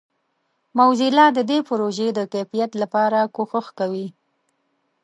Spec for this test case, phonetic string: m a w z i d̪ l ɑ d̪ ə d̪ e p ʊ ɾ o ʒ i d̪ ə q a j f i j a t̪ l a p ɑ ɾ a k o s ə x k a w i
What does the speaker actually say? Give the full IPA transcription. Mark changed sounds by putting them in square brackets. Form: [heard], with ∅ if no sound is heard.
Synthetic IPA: m a w z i [∅] l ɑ d̪ ə d̪ e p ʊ ɾ o ʒ [e] d̪ ə [k] a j f i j a t̪ l a p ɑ ɾ a k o [x] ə x k a w i